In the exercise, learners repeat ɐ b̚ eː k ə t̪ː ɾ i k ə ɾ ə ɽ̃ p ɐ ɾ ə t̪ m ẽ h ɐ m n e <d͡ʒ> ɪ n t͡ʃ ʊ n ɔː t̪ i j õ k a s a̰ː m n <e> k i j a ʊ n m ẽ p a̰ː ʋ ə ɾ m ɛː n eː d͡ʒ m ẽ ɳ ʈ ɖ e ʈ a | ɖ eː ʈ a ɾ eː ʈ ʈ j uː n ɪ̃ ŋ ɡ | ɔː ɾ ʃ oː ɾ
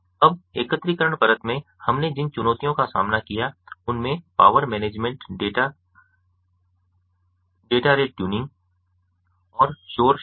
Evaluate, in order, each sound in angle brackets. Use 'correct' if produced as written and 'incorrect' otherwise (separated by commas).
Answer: correct, incorrect